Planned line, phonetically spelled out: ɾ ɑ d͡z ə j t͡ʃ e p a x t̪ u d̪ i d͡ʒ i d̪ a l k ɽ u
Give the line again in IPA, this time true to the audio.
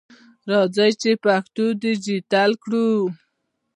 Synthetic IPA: ɾ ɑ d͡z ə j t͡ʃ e p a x t̪ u d̪ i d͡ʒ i t̪ a l k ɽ u